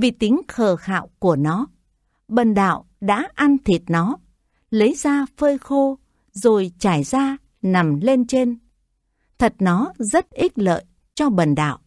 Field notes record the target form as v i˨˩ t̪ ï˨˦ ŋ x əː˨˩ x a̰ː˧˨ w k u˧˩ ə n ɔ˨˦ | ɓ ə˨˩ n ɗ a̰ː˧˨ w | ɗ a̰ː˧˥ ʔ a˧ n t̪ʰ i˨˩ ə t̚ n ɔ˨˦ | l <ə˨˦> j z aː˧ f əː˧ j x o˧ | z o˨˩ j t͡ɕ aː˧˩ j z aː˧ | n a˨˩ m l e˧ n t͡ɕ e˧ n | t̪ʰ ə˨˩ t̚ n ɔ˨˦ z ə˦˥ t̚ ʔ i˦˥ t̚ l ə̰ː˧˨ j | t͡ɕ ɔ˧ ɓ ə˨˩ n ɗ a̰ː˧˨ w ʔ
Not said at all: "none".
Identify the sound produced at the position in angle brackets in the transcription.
ə˨˦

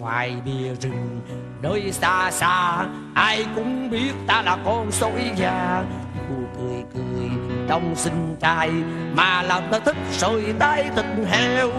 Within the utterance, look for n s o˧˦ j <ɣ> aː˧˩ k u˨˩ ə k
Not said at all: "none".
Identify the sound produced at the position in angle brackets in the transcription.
z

